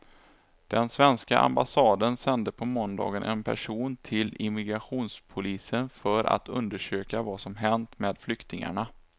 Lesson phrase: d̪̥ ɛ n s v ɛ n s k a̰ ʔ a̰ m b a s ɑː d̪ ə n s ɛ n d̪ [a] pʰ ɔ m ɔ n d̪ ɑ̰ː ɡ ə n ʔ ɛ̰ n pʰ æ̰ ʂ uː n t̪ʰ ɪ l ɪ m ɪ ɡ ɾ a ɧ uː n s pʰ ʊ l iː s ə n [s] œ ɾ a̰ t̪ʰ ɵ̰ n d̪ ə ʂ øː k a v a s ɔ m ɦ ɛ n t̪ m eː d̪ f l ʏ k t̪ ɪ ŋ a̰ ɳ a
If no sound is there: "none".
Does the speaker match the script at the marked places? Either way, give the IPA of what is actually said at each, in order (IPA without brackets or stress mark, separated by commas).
ə, f